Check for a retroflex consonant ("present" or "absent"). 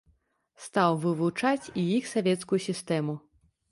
present